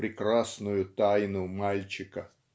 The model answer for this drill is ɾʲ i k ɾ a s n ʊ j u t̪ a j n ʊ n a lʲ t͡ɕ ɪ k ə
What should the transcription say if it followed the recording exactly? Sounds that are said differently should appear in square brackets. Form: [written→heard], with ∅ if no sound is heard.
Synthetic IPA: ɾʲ [i→ɪ] k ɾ a s n ʊ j [u→ʊ] t̪ a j n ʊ [n→m] a lʲ t͡ɕ ɪ k ə